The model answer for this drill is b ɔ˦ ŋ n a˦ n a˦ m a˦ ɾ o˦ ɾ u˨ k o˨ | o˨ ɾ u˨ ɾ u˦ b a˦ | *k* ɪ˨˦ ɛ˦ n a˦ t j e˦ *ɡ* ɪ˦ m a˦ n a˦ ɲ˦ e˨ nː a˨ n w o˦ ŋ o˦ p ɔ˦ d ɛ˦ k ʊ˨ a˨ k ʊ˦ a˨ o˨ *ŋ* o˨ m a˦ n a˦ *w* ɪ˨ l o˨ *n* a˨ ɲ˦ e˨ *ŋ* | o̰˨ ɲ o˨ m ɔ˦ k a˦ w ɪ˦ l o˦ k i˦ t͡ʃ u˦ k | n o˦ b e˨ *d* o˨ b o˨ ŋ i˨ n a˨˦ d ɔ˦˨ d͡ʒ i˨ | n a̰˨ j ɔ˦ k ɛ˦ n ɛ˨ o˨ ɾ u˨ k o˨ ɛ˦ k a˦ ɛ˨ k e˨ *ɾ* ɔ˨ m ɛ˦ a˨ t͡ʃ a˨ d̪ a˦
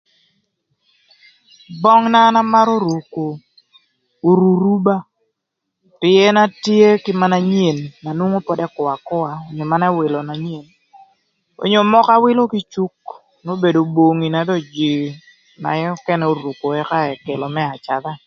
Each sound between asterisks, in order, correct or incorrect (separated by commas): incorrect, incorrect, incorrect, correct, correct, incorrect, correct, incorrect